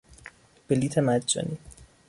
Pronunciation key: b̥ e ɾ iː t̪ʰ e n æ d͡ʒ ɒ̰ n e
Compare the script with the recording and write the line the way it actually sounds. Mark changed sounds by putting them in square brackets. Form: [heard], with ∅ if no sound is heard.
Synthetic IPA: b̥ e [l] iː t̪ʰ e [m] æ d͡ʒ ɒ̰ n [i]